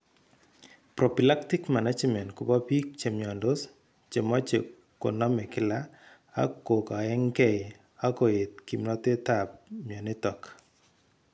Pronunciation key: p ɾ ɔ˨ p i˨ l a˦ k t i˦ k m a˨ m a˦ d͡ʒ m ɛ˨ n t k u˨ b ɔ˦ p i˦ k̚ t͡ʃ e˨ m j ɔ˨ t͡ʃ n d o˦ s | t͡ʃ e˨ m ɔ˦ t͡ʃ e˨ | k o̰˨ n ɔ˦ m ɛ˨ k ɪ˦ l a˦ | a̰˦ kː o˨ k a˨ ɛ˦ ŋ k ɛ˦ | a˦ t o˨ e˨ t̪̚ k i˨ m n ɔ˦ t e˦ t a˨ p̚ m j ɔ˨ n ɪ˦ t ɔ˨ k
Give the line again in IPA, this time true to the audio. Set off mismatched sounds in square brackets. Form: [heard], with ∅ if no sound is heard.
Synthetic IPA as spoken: p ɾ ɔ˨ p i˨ l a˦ k t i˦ k m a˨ [n] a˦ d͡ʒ m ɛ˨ n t k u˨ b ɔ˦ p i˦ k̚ t͡ʃ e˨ m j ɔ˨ [∅] n d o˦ s | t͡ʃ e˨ m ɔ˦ t͡ʃ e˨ | k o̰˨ n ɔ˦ m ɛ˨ k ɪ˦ l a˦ | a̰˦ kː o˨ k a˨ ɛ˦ ŋ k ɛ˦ | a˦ [k] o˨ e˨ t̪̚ k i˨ m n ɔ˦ t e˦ t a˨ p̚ m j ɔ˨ n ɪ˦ t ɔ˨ k